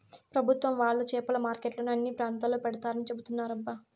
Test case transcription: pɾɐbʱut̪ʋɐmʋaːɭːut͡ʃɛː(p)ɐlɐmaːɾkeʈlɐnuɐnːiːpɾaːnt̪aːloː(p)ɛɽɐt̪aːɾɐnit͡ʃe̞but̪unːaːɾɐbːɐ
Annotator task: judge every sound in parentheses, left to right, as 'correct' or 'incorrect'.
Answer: correct, correct

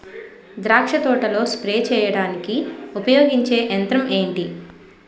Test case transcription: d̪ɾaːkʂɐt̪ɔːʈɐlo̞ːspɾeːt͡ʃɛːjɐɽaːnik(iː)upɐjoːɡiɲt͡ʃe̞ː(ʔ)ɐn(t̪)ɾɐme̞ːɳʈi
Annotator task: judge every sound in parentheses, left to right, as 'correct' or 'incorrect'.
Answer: incorrect, correct, correct

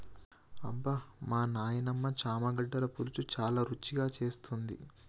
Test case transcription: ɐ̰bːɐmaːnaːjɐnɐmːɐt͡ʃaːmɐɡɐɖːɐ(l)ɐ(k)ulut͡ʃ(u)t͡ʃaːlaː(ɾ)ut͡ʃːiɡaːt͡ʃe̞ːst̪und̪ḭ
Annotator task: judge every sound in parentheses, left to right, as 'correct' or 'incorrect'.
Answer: correct, incorrect, correct, correct

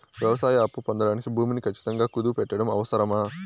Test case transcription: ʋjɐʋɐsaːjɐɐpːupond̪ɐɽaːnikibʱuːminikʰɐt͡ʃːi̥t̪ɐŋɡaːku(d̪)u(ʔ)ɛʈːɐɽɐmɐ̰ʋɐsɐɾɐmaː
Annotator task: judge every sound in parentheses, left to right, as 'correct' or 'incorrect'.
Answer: correct, incorrect

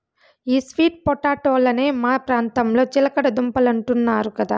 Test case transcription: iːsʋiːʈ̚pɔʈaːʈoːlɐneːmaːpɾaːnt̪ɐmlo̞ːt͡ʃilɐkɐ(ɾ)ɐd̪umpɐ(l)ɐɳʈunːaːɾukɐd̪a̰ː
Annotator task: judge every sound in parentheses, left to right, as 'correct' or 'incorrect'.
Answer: incorrect, correct

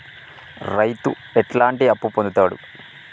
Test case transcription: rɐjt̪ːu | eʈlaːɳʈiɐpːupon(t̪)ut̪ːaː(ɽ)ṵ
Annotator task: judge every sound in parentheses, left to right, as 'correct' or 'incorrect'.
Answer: incorrect, correct

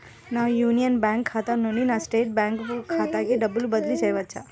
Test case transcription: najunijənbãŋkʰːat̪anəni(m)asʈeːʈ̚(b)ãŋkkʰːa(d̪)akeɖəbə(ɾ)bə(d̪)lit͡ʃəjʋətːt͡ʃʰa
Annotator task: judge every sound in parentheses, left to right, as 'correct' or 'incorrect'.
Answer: incorrect, correct, incorrect, incorrect, correct

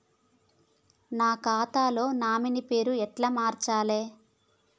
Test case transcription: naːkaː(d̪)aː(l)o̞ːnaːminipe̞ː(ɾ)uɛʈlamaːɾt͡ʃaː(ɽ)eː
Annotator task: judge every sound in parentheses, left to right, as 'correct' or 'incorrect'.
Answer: incorrect, correct, correct, incorrect

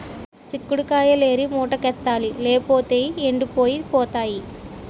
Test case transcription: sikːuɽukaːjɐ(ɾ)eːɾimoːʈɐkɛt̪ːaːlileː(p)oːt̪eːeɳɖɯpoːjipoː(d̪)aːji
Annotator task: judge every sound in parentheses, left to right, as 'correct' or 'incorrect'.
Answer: incorrect, correct, incorrect

